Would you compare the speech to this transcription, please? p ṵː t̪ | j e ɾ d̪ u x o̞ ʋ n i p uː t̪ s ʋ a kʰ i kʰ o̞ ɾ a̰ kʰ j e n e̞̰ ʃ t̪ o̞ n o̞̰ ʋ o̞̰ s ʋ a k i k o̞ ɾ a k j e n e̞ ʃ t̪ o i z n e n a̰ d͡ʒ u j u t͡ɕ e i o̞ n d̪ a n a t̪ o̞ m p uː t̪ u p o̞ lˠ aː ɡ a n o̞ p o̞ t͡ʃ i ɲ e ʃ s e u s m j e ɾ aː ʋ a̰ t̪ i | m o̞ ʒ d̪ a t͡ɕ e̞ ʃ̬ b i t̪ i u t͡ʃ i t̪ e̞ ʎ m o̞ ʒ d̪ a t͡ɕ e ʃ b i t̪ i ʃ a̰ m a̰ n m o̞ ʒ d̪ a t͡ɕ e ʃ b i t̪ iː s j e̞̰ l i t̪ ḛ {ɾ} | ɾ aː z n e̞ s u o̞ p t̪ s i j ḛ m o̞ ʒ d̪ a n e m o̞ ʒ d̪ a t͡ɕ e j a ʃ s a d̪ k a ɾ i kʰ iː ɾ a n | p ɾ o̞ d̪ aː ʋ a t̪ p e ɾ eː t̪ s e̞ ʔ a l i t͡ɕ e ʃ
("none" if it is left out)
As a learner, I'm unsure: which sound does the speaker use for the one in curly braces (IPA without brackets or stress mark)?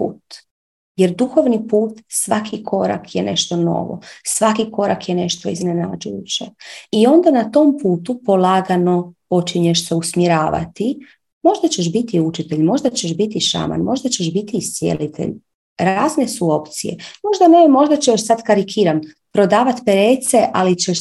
ʎ